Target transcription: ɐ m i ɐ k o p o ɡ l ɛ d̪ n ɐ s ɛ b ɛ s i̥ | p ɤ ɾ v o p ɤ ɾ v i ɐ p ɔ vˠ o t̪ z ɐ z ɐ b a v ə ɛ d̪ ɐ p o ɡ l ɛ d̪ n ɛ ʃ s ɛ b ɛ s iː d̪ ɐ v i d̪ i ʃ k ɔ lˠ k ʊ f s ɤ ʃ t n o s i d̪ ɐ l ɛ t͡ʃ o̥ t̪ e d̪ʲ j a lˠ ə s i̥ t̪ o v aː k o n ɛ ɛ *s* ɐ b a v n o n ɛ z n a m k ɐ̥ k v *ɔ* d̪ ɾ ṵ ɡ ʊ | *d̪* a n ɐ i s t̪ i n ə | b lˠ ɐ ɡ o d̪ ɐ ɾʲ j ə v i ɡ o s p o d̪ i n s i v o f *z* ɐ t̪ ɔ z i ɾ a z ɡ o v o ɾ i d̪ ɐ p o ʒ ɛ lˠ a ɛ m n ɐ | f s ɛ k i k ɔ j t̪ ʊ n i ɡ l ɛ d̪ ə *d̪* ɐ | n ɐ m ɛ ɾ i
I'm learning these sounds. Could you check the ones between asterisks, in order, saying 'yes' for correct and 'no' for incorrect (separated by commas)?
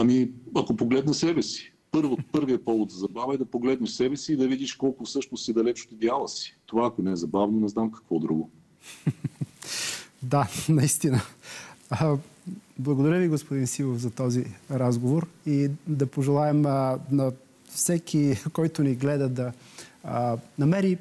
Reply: no, yes, yes, yes, yes